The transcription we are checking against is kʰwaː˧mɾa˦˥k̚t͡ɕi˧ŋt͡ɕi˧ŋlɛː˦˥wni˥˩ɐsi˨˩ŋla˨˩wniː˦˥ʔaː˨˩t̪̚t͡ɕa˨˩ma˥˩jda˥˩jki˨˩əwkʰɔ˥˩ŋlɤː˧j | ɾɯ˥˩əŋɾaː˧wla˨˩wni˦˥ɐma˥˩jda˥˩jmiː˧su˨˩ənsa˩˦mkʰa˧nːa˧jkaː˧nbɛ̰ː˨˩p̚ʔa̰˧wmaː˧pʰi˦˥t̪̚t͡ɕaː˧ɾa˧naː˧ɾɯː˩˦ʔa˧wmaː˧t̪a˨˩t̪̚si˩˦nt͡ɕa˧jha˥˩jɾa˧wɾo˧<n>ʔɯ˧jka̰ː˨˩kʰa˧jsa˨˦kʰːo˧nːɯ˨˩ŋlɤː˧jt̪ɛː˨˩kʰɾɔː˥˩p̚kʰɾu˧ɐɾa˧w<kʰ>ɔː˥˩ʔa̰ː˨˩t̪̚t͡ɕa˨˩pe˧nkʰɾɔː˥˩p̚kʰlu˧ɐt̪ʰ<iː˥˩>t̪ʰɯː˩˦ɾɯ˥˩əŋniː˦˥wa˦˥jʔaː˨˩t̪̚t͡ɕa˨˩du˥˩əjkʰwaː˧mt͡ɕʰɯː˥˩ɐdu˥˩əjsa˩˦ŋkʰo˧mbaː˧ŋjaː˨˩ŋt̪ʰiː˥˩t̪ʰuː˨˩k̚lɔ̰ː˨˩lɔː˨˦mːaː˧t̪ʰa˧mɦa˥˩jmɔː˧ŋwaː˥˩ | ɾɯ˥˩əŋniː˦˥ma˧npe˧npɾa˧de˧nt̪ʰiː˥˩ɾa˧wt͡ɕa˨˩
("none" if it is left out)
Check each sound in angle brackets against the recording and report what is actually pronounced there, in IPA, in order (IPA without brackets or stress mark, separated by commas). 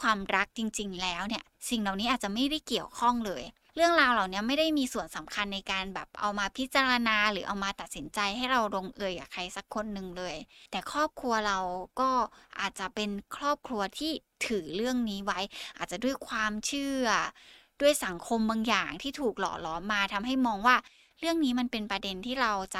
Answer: ŋ, k, iː˥˩